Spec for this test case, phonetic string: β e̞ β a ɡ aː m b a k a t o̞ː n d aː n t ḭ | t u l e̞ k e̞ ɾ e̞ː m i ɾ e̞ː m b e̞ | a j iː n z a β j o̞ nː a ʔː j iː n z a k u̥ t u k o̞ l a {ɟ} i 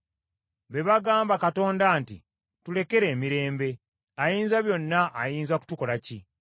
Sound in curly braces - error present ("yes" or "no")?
yes